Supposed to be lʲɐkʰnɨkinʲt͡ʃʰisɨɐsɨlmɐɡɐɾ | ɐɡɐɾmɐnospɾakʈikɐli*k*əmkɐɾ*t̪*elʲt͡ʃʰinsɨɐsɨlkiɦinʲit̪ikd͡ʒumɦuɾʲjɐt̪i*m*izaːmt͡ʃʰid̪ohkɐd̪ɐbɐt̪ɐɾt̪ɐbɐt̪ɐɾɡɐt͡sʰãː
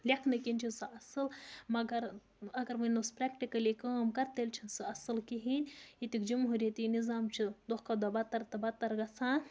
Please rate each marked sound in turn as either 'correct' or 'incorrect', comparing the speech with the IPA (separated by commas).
correct, correct, incorrect